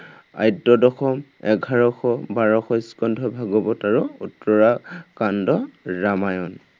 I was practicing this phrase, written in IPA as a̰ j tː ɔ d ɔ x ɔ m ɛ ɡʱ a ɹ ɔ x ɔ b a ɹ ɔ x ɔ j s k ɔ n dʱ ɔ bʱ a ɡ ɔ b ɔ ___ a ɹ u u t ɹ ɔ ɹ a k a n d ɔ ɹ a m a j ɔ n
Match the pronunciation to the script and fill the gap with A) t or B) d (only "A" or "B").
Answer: A